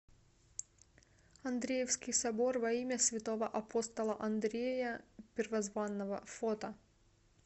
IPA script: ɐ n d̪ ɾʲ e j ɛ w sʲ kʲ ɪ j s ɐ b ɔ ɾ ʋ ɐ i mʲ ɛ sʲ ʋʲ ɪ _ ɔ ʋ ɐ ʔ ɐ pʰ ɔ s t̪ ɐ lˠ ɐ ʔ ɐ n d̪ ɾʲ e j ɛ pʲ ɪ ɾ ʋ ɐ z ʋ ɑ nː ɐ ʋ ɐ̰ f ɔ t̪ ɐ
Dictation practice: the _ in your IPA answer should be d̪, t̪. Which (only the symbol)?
t̪